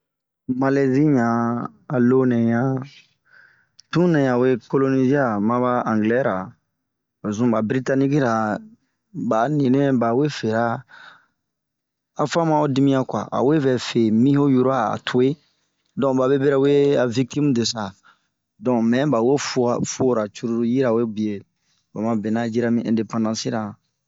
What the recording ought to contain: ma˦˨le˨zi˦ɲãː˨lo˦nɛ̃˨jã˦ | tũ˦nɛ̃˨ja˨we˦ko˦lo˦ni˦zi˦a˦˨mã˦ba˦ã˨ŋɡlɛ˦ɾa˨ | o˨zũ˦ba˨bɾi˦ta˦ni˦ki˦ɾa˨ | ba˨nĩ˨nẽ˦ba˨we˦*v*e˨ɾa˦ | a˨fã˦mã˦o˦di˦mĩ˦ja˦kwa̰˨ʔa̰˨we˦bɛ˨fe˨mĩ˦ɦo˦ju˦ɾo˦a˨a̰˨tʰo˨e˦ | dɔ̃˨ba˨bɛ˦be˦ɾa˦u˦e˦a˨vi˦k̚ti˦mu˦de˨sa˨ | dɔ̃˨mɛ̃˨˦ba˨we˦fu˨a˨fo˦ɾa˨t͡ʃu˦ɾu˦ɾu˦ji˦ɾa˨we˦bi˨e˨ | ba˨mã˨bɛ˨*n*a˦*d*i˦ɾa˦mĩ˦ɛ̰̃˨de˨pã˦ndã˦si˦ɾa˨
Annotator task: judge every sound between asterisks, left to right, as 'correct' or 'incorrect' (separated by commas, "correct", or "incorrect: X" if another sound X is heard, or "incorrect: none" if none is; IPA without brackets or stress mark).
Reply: incorrect: f, correct, incorrect: d͡ʒ